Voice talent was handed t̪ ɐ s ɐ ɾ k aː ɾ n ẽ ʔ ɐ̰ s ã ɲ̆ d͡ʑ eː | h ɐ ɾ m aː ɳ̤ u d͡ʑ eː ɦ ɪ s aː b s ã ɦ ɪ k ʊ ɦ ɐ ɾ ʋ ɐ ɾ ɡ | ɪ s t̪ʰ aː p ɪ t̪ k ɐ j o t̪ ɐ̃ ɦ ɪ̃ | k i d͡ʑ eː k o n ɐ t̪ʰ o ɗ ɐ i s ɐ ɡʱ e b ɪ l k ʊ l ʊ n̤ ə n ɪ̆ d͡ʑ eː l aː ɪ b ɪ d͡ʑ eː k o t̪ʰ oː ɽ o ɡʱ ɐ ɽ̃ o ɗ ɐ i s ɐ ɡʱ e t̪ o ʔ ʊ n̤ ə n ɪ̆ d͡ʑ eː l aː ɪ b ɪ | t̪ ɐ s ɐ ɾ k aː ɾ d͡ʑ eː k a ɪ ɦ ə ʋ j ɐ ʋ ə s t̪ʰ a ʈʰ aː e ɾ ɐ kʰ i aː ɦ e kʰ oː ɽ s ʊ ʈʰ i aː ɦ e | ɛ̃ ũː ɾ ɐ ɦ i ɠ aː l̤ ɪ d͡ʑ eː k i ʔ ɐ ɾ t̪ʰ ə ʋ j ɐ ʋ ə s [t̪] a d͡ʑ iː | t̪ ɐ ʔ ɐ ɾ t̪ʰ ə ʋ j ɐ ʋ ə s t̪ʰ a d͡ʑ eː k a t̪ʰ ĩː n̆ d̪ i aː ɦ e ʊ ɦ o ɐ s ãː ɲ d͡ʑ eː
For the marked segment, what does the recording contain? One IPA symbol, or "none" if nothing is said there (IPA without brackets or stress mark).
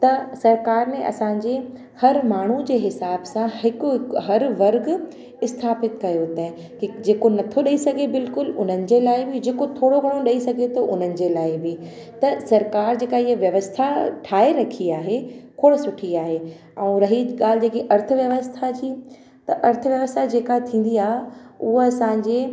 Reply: t̪ʰ